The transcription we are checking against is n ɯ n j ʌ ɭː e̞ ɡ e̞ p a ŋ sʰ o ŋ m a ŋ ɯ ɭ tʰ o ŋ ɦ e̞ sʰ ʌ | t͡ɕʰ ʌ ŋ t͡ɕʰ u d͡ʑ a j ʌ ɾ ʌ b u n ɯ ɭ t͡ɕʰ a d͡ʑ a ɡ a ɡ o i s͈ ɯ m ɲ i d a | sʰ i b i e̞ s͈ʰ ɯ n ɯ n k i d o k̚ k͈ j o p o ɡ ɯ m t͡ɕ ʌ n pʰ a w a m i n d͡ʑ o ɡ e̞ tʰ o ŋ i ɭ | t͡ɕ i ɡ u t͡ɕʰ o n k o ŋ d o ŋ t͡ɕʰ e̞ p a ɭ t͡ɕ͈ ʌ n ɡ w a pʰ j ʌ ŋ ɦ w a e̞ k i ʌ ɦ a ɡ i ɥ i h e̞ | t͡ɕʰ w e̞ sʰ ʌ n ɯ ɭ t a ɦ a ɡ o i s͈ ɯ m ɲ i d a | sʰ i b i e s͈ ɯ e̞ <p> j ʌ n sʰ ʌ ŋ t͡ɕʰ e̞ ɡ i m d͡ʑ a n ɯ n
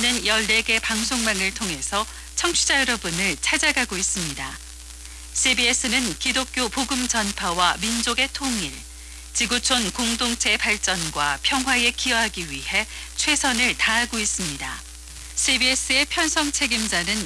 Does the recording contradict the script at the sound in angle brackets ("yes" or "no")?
yes